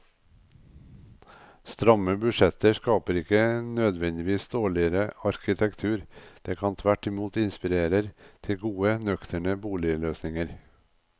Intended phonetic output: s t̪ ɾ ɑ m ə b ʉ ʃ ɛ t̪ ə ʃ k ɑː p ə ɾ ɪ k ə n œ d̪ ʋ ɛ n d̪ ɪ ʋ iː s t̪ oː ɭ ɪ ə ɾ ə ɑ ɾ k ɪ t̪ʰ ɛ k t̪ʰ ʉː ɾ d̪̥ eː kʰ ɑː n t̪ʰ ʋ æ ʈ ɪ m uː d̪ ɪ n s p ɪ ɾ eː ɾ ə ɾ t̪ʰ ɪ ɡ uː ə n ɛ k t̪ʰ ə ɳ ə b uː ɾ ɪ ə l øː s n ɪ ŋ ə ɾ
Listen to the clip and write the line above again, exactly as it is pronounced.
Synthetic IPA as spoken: s t̪ ɾ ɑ m ə b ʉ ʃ ɛ t̪ ə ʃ k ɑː p ə ɾ ɪ k ə n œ d̪ ʋ ɛ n d̪ ɪ ʋ iː s d̪ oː ɭ ɪ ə ɾ ə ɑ ɾ k ɪ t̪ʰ ɛ k t̪ʰ ʉː ɾ d̪̥ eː kʰ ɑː n t̪ʰ ʋ æ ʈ ɪ m uː t̪ ɪ n s p ɪ ɾ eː ɾ ə ɾ t̪ʰ ɪ ɡ uː ə n œ k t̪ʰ ə ɳ ə b uː l ɪ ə l øː s n ɪ ŋ ə ɾ